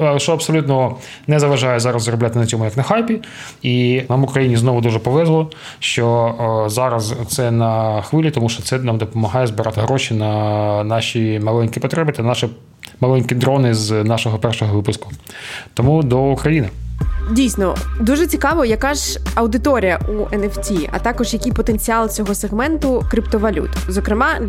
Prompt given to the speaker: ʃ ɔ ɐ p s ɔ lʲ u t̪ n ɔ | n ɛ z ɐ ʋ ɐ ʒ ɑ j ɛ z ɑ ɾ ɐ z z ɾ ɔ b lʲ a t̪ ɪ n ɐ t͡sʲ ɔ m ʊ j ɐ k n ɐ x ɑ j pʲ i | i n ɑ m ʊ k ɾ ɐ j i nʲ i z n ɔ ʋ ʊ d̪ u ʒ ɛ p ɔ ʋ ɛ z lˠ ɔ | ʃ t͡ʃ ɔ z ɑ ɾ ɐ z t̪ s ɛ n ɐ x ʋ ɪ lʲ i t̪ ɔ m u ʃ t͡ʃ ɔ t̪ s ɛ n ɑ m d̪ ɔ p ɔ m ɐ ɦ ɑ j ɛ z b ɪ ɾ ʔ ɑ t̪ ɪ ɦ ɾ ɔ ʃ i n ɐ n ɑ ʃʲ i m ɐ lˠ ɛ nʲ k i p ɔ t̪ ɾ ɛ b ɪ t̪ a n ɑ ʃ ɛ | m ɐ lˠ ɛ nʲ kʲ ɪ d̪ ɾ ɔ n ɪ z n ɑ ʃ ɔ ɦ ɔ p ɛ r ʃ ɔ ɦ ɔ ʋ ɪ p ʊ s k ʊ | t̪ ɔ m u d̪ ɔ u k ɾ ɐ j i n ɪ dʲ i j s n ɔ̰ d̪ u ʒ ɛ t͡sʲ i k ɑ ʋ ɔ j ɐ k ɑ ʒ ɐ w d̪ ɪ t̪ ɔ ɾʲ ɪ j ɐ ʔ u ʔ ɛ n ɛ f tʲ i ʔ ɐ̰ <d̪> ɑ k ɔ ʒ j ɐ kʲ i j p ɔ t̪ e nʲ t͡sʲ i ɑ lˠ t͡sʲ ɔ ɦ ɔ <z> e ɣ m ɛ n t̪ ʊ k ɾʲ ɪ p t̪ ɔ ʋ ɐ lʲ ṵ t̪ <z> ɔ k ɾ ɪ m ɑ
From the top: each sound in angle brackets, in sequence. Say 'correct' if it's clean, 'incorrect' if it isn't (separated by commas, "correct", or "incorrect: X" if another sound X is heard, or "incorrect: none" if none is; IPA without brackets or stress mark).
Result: incorrect: t̪, incorrect: s, correct